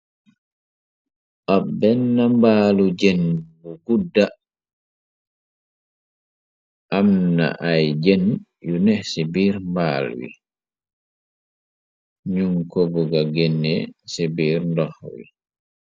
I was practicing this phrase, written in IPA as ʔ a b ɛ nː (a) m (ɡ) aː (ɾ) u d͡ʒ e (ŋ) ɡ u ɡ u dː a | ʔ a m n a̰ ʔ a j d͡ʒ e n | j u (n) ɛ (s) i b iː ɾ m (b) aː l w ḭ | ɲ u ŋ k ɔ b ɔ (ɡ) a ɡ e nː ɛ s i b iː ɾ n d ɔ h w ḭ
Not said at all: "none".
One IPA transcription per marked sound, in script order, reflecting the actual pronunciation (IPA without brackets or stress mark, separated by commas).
a, b, l, n, n, s, b, ɡ